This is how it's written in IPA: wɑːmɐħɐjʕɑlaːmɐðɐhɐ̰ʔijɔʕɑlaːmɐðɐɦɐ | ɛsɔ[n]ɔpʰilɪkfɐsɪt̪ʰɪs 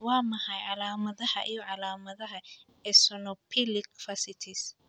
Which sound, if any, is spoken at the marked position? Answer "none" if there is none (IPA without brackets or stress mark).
n